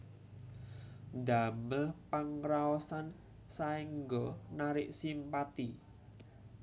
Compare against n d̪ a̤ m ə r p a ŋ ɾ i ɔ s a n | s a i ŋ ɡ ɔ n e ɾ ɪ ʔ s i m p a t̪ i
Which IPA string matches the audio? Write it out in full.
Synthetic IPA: n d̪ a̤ m ə l p a ŋ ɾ a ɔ s a n | s a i ŋ ɡ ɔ n a ɾ ɪ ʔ s i m p a t̪ i